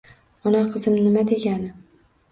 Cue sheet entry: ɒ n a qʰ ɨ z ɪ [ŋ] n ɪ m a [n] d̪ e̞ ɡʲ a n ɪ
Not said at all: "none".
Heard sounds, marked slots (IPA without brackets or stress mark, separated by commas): m, none